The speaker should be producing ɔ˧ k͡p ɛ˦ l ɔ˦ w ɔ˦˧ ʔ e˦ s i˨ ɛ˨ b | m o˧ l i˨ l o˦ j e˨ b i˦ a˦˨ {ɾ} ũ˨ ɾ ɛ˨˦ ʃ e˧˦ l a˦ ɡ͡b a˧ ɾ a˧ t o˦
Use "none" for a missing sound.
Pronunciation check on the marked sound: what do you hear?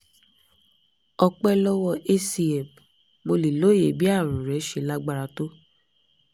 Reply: ɾ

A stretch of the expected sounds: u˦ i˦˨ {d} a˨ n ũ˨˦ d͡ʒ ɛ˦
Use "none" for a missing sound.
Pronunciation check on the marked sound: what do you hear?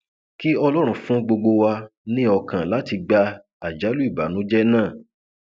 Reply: b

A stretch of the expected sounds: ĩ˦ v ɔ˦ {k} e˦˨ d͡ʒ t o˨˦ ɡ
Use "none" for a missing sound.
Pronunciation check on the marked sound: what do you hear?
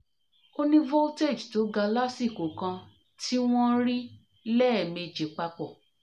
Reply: t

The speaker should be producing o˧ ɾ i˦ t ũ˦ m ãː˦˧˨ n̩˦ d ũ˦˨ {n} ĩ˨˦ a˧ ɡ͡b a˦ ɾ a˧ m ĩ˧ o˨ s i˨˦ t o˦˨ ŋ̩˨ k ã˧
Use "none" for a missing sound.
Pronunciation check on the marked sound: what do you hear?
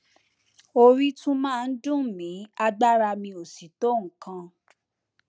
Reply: m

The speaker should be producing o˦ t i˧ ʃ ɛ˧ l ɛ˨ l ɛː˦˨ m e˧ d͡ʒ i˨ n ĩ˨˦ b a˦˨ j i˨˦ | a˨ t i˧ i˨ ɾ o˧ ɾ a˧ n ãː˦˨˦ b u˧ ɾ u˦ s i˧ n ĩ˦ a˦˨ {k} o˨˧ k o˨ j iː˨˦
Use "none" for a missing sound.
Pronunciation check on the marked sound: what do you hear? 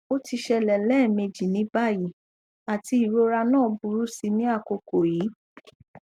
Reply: k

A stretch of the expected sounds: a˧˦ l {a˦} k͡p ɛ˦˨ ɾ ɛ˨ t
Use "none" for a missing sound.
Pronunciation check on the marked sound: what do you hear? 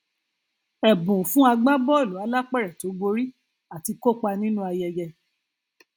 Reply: a˦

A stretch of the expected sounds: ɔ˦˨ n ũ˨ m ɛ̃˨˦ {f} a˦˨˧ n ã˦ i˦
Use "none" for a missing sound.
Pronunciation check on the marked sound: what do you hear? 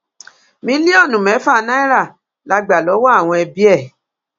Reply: f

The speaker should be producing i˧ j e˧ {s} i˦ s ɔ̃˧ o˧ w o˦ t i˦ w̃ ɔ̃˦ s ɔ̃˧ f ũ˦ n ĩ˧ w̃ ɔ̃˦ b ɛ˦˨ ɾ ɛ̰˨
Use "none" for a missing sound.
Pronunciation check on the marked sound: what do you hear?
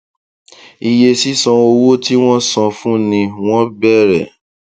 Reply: s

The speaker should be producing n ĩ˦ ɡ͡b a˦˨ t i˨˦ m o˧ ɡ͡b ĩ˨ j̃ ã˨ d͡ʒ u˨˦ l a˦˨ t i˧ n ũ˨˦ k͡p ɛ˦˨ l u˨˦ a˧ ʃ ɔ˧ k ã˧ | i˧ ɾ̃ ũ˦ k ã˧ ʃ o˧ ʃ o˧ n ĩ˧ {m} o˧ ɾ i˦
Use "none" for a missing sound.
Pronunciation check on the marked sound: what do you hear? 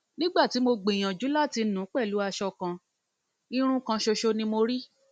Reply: m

